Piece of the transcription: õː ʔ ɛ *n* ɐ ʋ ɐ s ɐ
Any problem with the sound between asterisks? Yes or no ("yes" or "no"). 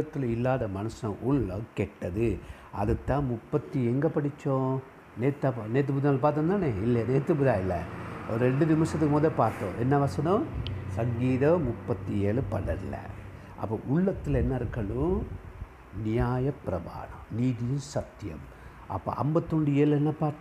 yes